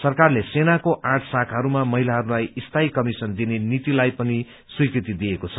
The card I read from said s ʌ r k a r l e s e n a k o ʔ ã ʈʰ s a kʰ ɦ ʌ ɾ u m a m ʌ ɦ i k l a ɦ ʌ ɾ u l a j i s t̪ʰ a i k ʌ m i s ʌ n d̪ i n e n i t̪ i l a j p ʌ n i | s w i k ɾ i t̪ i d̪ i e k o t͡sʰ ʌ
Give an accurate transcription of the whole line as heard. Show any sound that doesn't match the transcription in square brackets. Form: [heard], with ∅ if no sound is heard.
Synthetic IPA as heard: s ʌ r k a r l e s e n a k o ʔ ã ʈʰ s a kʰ ɦ ʌ ɾ u m a m ʌ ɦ i [∅] l a ɦ ʌ ɾ u l a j i s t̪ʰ a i k ʌ m i s ʌ n d̪ i n e n i t̪ i l a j p ʌ n i | s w i k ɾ i t̪ i d̪ i e k o t͡sʰ ʌ